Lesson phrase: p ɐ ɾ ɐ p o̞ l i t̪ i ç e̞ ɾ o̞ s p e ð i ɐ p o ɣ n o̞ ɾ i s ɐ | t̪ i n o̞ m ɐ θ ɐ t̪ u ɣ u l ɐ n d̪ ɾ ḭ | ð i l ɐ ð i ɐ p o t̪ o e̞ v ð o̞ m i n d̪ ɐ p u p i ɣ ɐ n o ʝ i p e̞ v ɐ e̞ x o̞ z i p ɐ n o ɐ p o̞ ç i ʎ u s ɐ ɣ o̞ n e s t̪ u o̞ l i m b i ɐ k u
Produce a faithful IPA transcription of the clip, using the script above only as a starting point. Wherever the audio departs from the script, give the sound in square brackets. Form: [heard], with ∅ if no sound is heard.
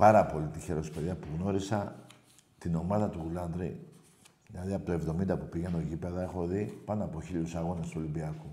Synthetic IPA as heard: p ɐ ɾ ɐ p o̞ l i t̪ i ç e̞ ɾ o̞ s p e ð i ɐ p [u] ɣ n o̞ ɾ i s ɐ | t̪ i n o̞ m ɐ [ð] ɐ t̪ u ɣ u l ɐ n d̪ ɾ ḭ | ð i l ɐ ð i ɐ p o t̪ o e̞ v ð o̞ m i n d̪ ɐ p u p i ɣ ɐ n o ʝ i p e̞ [ð] ɐ e̞ x o̞ [ð] i p ɐ n o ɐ p o̞ ç i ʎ u s ɐ ɣ o̞ n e s t̪ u o̞ l i m b i ɐ k u